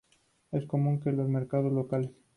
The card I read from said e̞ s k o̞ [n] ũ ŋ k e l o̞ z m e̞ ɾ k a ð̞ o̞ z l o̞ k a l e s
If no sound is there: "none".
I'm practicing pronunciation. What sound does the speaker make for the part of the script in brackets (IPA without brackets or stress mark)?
m